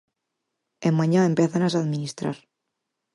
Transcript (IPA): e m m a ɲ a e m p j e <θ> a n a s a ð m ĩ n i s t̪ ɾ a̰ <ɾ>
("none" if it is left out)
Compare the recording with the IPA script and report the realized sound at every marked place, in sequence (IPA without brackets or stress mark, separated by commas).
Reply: θ, ɾ